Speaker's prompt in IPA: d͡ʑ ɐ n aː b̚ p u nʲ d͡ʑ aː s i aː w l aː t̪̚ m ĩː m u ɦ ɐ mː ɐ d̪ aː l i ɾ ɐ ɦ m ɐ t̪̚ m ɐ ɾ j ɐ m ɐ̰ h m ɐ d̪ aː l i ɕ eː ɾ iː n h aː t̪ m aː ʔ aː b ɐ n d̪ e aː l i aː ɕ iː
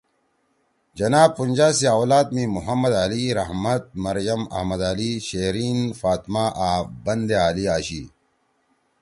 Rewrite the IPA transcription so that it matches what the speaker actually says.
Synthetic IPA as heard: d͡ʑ ɐ n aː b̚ p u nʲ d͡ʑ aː s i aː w l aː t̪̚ m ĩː m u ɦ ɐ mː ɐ d̪ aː l i ɾ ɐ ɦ m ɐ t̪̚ m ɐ ɾ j ɐ m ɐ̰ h m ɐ d̪ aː l i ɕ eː ɾ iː n f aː t̪ m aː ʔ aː b ɐ n d̪ e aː l i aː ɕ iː

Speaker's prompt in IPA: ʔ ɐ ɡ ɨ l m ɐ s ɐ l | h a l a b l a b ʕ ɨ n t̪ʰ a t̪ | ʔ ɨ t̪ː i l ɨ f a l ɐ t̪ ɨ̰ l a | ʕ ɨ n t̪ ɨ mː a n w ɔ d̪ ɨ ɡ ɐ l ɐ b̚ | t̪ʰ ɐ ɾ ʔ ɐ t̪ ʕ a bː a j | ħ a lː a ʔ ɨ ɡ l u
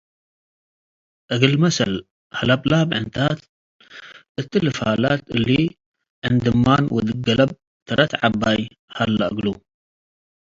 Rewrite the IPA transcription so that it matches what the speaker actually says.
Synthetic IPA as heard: ʔ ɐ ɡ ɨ l m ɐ s ɐ l | h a l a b l a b ʕ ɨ n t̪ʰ a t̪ | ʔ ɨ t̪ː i l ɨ f a l a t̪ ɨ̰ l i | ʕ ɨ n d̪ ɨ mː a n w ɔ d̪ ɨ ɡ ɐ l ɐ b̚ | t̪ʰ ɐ ɾ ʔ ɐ t̪ ʕ a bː a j | h a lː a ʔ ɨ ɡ l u

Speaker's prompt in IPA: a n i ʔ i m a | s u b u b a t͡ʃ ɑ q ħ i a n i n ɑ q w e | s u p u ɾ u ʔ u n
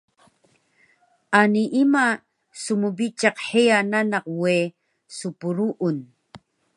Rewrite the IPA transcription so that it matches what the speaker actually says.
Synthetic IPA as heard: a n i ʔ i m a | s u m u b i t͡ʃ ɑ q ħ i a n a n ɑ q w e | s u p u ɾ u ʔ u n

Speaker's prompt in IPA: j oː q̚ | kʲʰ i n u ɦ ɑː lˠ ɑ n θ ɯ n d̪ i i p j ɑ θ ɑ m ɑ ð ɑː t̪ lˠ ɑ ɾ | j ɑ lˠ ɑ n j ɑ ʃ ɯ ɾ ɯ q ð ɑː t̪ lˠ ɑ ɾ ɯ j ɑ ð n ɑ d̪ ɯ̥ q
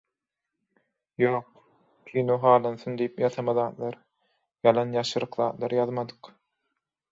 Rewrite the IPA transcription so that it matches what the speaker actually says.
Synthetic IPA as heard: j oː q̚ | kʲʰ i n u ɦ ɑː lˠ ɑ n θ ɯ n d̪ i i p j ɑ θ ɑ m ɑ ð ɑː t̪ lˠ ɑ ɾ | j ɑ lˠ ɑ n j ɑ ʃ ɯ ɾ ɯ q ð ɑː t̪ lˠ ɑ ɾ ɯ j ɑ ð m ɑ d̪ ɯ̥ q

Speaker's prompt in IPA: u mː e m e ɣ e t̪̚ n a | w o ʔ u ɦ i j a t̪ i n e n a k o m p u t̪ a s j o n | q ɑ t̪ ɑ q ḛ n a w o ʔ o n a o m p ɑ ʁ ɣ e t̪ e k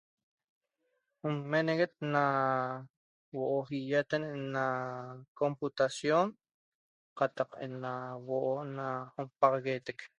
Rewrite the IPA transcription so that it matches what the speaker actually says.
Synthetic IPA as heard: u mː e n e ɣ e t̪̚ n a | w o ʔ o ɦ i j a t̪ e n e n a k o m p u t̪ a s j o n | q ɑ t̪ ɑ q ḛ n a w o ʔ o n a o m p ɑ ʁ ɣ e t̪ e k

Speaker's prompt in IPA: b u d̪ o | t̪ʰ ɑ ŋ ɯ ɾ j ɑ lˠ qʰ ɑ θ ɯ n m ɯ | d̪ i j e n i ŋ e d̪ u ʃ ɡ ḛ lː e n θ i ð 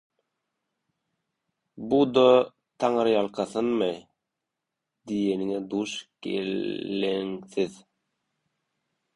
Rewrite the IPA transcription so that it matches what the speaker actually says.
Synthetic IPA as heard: b u d̪ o | t̪ʰ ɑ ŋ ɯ ɾ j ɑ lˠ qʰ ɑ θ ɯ n m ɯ | d̪ i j e n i ŋ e d̪ u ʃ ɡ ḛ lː e ŋ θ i ð

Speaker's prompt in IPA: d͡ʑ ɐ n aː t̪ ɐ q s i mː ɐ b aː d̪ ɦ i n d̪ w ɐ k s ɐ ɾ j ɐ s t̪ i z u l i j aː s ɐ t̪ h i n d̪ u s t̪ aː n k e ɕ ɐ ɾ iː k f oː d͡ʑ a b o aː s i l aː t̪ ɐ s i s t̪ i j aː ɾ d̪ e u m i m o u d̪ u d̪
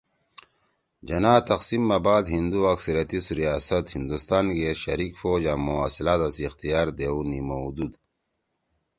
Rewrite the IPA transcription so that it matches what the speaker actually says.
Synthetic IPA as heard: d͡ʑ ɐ n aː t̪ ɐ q s i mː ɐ b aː d̪ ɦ i n d̪ u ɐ k s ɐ ɾ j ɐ t̪ i s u ɾ i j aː s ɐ t̪ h i n d̪ u s t̪ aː n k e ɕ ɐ ɾ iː k f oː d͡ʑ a m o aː s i l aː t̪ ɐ s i x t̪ i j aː ɾ d̪ e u n i m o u d̪ u d̪

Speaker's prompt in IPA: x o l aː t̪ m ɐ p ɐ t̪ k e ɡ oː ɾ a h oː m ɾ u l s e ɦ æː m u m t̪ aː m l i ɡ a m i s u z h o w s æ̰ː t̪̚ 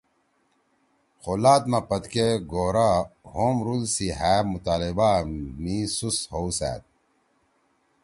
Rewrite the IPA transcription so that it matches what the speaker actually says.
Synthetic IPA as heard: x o l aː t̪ m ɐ p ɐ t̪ k e ɡ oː ɾ a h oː m ɾ u l s i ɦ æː m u t̪ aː l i b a m i s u s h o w s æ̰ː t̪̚

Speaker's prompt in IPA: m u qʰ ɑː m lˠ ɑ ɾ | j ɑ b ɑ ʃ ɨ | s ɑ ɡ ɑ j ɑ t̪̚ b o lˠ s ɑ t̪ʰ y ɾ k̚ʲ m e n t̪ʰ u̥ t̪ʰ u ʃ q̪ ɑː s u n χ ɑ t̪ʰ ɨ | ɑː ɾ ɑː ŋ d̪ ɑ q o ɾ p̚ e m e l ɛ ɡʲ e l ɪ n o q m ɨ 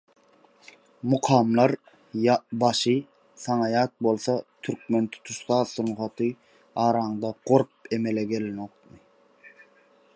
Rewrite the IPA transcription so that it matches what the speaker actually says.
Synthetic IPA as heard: m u qʰ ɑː m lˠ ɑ ɾ | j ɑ b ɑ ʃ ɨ | s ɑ ŋ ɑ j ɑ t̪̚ b o lˠ s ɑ t̪ʰ y ɾ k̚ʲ m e n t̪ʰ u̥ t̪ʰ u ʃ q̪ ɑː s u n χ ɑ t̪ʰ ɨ | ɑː ɾ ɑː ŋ d̪ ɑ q o ɾ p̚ e m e l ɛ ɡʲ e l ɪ n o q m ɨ

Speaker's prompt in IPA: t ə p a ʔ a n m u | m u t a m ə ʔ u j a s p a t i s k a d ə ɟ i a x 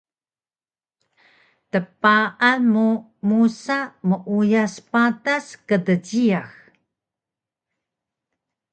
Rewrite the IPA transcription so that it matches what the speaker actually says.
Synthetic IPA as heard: t ə p a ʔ a n m u | m u s a m ə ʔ u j a s p a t a s k ə d ə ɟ i a x

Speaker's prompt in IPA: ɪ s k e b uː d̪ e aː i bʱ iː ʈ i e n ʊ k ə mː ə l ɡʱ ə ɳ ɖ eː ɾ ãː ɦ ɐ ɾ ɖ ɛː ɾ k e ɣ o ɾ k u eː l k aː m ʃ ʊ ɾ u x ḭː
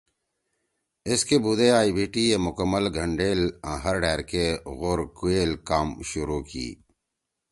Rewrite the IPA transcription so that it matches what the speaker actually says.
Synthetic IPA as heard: ɪ s k e b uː d̪ e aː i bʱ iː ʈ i e m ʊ k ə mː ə l ɡʱ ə ɳ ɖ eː l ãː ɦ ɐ ɾ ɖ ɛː ɾ k e ɣ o ɾ k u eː l k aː m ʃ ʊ ɾ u k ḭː

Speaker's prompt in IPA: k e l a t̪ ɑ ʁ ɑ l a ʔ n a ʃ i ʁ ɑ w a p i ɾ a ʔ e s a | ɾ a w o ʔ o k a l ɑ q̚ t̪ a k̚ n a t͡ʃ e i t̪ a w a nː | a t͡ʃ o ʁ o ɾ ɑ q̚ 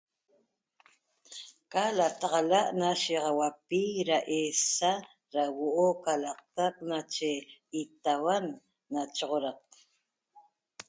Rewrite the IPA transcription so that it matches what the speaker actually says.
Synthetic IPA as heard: k a l a t̪ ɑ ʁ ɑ l a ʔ n a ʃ i ʁ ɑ w a p i ɾ a ʔ e s a | ɾ a w o ʔ o k a l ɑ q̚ t̪ a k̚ n a t͡ʃ e i t̪ a w a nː | a t͡ʃ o ʁ o ɾ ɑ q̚

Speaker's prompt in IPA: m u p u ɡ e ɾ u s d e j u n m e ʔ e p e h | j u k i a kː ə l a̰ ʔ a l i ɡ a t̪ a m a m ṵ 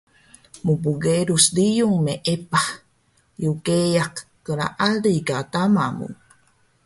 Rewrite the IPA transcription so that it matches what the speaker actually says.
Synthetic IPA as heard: m u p u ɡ e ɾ u s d i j u ŋ m e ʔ e p a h | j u k e a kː ə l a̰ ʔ a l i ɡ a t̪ a m a m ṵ

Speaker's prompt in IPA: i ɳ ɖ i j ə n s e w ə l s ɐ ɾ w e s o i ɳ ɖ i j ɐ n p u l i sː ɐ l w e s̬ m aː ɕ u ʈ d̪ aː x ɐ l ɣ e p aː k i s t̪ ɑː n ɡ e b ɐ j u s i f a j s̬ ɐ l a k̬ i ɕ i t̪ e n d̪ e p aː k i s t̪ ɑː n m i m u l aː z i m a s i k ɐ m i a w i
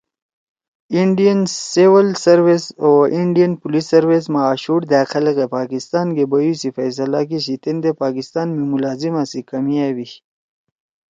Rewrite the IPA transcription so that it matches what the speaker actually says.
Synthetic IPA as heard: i ɳ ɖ i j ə n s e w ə l s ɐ ɾ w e s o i ɳ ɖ i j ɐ n p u l i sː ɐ ɾ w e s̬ m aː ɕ u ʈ d̪ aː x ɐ l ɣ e p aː k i s t̪ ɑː n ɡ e b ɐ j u s i f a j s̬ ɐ l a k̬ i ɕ i t̪ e n d̪ e p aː k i s t̪ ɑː n m i m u l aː z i m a s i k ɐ m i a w i

